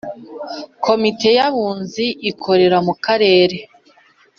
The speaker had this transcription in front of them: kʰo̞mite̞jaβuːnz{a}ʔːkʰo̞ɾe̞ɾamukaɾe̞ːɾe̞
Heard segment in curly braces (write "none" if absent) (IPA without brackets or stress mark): i